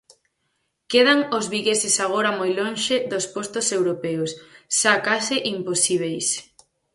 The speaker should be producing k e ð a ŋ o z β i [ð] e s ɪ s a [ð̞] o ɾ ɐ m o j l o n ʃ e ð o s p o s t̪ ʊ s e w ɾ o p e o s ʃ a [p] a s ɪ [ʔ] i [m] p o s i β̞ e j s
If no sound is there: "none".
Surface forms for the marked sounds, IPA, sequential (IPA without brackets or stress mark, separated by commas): ɣ, ɣ̞, k, ʔ, m